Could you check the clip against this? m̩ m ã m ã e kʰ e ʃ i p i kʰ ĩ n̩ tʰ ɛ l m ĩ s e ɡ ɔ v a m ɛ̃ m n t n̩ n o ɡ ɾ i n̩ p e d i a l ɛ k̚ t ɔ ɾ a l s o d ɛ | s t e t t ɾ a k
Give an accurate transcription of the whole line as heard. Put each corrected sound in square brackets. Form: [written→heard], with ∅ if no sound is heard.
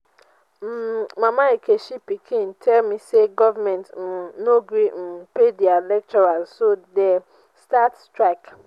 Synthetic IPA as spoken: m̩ m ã m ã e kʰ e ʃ i p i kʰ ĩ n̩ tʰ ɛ l m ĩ s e ɡ ɔ v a m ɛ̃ [m→∅] n t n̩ n o ɡ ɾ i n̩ p e d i a l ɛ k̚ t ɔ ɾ a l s o d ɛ | s t [e→a] t t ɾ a k